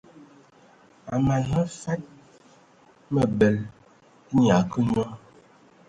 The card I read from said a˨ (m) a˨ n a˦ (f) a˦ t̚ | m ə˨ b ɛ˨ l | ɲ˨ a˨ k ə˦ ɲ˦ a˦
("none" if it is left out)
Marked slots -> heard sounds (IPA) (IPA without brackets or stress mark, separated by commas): m, f